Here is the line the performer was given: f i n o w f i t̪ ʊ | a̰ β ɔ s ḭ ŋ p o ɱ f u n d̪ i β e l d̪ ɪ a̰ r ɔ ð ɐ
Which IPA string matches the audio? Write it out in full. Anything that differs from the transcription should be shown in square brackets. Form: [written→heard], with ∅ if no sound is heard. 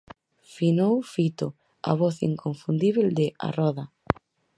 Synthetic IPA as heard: f i n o w f i t̪ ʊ | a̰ β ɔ [s→θ] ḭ ŋ [p→k] o ɱ f u n d̪ i β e l d̪ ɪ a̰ r ɔ ð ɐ